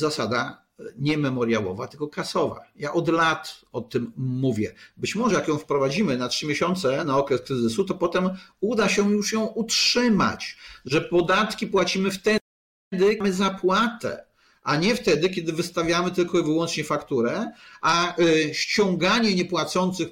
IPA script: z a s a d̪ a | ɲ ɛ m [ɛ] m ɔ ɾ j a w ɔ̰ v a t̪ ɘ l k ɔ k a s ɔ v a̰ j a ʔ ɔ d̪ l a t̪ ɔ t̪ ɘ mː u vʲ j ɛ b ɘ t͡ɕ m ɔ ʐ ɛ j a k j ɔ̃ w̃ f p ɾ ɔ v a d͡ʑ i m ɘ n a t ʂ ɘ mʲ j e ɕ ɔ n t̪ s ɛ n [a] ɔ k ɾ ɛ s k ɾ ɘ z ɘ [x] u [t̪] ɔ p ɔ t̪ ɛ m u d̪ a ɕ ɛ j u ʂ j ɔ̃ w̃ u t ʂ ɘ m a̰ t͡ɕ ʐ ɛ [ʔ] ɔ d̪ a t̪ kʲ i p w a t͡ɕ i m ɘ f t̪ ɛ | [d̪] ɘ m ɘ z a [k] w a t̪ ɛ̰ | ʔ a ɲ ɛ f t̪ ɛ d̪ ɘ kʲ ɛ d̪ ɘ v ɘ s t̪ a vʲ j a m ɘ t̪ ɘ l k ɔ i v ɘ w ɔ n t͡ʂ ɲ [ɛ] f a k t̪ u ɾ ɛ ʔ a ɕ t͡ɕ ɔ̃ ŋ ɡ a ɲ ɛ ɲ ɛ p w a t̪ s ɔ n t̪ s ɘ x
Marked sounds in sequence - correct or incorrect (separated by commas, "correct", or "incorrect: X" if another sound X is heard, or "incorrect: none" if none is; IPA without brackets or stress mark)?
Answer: correct, correct, incorrect: s, correct, incorrect: p, correct, incorrect: p, correct